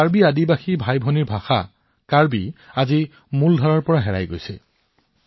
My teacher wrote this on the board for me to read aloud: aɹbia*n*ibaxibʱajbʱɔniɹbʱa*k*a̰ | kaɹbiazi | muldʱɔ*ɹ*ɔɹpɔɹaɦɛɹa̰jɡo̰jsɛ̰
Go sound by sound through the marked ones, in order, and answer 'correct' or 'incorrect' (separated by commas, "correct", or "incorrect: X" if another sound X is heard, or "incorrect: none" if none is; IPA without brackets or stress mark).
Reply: incorrect: d, incorrect: x, correct